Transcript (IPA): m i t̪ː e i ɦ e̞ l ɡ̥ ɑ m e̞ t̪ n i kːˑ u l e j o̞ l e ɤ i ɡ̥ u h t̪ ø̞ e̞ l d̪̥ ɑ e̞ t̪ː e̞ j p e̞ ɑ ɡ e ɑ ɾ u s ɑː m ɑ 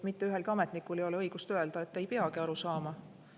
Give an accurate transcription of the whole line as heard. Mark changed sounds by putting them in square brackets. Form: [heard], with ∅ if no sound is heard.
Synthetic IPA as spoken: m i t̪ː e [y] ɦ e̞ l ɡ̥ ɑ m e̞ t̪ n i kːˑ u l e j o̞ l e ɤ [j] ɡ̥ u [s] t̪ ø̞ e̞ l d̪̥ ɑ e̞ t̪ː e̞ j p e̞ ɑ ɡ [i] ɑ ɾ u s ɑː m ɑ